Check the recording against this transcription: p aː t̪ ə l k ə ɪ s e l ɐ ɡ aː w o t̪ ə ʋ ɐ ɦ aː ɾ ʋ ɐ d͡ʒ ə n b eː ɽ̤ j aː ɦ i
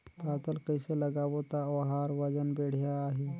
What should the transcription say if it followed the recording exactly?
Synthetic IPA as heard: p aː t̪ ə l k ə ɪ s e l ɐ ɡ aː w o t̪ a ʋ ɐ ɦ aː ɾ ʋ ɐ d͡ʒ ə n b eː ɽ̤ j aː ɦ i